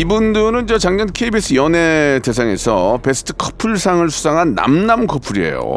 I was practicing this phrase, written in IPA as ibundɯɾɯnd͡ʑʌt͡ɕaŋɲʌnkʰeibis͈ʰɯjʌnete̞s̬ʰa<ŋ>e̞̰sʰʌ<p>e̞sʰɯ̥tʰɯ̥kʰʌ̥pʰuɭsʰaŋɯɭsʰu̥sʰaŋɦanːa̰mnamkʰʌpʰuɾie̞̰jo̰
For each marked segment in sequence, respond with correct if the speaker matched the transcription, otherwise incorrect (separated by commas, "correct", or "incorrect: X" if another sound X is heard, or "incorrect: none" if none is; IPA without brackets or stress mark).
correct, correct